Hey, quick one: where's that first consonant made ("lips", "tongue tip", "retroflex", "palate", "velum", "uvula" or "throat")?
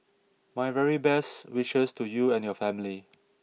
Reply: lips